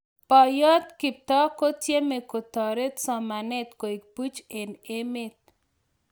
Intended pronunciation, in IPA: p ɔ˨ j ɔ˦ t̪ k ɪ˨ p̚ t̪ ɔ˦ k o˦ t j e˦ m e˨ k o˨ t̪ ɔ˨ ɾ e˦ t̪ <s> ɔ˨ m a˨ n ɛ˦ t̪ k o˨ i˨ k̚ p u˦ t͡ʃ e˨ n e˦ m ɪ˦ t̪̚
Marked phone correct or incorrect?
correct